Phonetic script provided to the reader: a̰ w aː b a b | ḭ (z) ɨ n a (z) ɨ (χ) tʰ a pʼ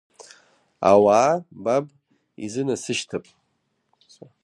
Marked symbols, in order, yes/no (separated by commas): yes, no, no